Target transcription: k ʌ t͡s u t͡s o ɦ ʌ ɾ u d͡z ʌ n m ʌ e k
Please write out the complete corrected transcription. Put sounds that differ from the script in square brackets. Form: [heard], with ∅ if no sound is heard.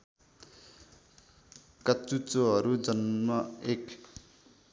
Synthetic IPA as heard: k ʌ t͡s u t͡s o ɦ ʌ ɾ u d͡z ʌ n m ʌ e k